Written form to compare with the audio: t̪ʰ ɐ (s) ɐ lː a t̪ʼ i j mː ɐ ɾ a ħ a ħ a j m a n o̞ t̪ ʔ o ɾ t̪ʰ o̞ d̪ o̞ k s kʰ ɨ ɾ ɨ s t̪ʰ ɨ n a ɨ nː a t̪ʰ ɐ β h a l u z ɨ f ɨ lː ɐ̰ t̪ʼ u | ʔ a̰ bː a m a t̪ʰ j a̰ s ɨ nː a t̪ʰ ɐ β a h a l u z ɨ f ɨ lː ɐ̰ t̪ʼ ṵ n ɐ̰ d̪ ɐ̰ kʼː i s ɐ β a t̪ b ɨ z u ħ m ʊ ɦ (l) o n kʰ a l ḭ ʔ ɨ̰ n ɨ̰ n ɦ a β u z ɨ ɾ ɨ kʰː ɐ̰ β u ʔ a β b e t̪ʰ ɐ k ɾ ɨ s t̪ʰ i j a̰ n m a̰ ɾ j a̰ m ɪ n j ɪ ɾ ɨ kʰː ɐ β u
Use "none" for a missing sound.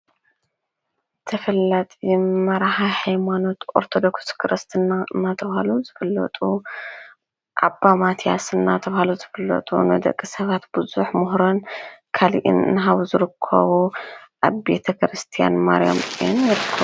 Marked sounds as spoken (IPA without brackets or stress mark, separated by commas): f, ɾ